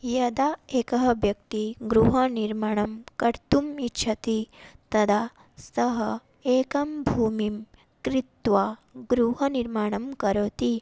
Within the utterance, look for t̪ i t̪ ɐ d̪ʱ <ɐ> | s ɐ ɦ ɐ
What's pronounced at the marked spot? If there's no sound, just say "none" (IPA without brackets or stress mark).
a